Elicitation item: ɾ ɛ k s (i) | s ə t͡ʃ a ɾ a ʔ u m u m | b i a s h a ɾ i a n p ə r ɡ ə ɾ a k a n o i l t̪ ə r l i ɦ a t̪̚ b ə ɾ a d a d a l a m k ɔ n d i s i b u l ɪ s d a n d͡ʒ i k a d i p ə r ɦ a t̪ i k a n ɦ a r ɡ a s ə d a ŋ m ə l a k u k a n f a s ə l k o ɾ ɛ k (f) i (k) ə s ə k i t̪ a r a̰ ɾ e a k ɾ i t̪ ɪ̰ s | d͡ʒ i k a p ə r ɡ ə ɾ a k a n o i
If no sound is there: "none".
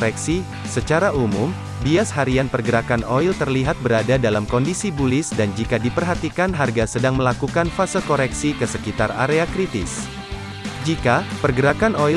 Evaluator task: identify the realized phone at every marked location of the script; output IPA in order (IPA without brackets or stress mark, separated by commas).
i, s, k